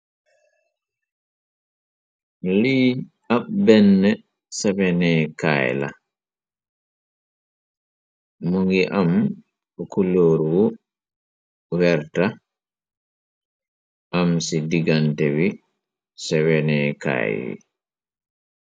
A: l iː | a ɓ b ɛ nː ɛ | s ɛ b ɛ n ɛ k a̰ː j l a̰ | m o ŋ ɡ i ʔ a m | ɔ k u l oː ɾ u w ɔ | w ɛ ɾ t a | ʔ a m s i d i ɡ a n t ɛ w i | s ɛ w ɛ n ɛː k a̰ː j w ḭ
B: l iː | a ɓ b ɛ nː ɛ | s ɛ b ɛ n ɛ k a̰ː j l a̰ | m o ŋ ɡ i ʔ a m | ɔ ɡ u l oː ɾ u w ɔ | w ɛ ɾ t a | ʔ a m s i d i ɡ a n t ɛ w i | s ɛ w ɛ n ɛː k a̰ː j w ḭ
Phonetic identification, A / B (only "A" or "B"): A